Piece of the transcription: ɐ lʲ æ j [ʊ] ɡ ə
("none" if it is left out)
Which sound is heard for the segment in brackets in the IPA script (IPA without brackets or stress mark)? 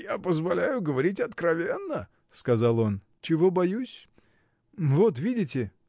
ʊ